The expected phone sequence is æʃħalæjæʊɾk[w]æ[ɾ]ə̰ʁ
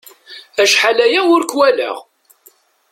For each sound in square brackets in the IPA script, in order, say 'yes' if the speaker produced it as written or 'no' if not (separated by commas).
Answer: yes, no